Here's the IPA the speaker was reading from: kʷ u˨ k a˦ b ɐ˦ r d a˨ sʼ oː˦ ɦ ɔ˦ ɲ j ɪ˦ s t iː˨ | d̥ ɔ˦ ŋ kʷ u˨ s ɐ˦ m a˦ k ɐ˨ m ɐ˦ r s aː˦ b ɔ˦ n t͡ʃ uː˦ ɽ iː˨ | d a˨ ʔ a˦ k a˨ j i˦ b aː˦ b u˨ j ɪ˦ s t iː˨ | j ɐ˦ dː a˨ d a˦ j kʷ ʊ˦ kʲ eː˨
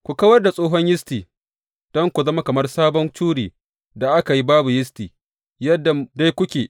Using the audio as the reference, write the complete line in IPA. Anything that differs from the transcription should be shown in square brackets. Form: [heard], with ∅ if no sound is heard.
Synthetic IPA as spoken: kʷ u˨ k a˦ [w] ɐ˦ r d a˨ sʼ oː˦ ɦ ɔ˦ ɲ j ɪ˦ s t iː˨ | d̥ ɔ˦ ŋ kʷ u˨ [z] ɐ˦ m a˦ k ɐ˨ m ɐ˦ r s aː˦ b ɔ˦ n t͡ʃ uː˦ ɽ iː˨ | d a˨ ʔ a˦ k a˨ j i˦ b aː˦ b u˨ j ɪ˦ s t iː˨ | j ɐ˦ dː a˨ d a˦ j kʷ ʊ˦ kʲ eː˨